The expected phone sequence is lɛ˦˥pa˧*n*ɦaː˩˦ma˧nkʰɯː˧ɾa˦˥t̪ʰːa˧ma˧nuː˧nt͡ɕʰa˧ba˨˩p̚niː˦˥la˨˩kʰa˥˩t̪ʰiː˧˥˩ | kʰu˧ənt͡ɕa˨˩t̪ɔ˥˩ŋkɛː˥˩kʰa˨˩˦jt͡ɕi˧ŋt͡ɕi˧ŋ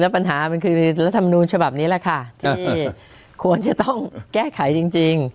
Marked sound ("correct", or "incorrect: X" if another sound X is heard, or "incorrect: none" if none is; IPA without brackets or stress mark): correct